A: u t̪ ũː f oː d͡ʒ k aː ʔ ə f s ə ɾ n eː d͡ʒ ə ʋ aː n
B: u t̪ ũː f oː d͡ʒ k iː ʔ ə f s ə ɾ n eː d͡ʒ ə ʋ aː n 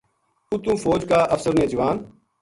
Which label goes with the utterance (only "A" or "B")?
A